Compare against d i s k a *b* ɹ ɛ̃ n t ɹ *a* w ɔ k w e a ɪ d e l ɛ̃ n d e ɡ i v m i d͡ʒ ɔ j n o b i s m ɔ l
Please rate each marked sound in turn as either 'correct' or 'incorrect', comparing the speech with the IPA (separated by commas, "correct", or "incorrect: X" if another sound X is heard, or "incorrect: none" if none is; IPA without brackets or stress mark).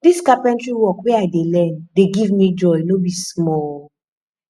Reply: incorrect: p, incorrect: i